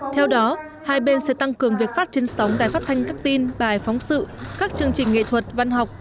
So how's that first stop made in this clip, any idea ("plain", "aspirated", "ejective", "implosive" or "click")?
aspirated